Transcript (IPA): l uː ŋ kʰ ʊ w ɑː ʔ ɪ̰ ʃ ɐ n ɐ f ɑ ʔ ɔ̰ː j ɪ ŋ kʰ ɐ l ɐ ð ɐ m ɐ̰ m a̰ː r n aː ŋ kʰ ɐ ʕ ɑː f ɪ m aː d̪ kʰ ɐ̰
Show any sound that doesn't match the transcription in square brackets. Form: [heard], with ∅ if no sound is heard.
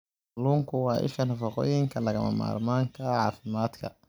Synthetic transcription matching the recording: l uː ŋ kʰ ʊ w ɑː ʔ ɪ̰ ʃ ɐ n ɐ f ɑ [q] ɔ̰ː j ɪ ŋ kʰ ɐ l ɐ [ɣ] ɐ m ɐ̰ m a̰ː r [m] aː ŋ kʰ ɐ ʕ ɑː f ɪ m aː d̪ kʰ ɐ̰